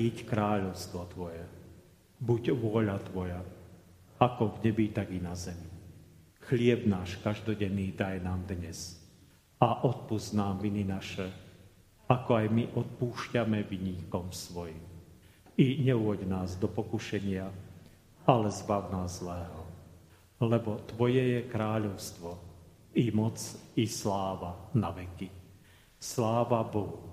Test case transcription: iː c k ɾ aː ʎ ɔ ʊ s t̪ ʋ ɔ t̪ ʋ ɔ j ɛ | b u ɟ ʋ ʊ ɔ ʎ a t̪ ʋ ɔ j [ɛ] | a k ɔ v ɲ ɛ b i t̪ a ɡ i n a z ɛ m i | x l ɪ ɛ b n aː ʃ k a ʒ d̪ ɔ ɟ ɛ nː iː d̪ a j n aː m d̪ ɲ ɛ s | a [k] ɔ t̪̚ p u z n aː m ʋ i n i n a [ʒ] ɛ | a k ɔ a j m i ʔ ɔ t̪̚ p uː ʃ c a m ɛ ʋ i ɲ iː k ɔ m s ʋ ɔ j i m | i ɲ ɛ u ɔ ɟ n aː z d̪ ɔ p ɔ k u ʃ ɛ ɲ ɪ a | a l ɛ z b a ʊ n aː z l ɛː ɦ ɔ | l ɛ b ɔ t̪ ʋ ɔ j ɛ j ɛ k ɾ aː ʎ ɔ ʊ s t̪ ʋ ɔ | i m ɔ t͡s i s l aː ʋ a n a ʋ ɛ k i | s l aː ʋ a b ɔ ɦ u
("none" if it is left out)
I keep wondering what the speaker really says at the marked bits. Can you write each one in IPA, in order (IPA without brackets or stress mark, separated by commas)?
a, ʔ, ʃ